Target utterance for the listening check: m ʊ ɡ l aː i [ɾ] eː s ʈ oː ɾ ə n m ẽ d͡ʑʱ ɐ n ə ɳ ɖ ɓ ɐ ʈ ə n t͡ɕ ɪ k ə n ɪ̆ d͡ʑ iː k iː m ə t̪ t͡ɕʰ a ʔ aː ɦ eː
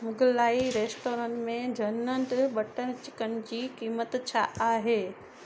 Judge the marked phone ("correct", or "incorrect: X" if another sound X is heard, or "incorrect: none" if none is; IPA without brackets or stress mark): correct